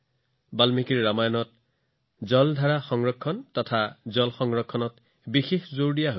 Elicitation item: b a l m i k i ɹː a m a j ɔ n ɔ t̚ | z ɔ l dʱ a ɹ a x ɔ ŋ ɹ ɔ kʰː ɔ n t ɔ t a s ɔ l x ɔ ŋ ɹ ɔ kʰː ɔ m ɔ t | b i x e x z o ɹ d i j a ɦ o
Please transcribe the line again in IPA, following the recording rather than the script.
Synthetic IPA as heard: b a l m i k i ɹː a m a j ɔ n ɔ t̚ | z ɔ l dʱ a ɹ a x ɔ ŋ ɹ ɔ kʰː ɔ n t ɔ tʰ a z ɔ l x ɔ ŋ ɹ ɔ kʰː ɔ n ɔ t | b i x e x z o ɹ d i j a ɦ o